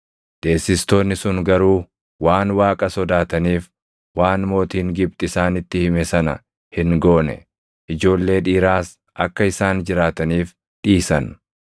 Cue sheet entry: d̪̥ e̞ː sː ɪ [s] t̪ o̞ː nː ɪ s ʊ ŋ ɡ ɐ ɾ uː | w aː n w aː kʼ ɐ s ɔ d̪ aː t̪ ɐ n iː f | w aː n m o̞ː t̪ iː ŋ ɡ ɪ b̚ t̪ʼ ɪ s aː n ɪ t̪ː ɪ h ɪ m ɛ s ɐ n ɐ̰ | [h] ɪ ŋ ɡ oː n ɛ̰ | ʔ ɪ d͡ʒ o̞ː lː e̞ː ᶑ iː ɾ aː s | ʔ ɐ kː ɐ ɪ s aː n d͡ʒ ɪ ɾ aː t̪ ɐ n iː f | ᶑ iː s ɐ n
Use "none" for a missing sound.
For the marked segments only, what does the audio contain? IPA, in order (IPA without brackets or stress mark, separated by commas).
s, h